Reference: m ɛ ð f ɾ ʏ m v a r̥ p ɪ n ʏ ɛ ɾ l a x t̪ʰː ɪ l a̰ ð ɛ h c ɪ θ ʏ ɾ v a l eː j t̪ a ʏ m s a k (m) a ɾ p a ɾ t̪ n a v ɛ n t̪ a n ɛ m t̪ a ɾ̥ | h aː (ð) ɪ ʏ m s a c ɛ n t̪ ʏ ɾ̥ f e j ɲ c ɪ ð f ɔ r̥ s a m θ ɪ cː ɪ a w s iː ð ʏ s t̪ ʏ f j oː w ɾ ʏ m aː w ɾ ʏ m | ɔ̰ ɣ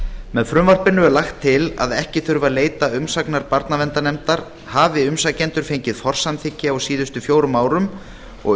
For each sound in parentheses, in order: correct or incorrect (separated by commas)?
incorrect, incorrect